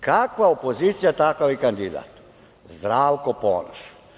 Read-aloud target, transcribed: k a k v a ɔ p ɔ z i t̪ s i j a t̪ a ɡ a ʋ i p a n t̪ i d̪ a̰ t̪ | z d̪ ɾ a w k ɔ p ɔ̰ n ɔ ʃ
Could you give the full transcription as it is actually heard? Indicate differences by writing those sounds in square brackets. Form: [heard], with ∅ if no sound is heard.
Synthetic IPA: k a k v a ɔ p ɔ z i t̪ s i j a t̪ a [k] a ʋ i [k] a n [d̪] i d̪ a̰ t̪ | z d̪ ɾ a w k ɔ p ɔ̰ n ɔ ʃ